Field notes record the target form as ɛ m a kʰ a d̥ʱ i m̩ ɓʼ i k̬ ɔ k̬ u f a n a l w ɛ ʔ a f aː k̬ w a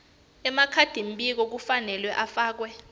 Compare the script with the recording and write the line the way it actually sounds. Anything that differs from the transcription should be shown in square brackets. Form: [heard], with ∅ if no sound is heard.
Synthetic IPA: ɛ m a kʰ a d̥ʱ i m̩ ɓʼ i k̬ ɔ k̬ u f a n [ɛ] l w ɛ ʔ a f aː k̬ w [ɛ]